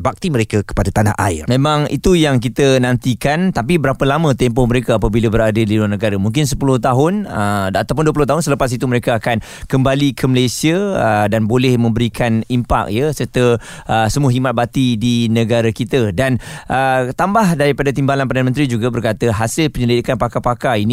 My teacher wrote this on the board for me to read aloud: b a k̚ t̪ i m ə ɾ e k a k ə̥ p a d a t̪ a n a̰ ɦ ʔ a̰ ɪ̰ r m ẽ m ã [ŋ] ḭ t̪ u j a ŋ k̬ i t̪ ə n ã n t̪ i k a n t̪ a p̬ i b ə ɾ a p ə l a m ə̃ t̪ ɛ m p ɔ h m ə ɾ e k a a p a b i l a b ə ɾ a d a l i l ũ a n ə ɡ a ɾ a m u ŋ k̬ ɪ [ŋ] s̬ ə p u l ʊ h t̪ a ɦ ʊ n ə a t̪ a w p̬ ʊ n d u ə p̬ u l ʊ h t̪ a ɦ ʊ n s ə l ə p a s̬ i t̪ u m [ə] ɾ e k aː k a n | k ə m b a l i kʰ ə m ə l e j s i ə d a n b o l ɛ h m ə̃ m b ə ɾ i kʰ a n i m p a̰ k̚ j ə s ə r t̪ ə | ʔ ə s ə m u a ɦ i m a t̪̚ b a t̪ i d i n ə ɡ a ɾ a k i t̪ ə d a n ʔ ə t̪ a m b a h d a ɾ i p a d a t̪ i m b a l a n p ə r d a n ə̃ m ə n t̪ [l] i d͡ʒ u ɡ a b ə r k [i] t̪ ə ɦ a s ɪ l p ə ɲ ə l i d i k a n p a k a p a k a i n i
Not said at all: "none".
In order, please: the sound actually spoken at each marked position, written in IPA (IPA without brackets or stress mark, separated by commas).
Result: ŋ, n, ə, ɾ, a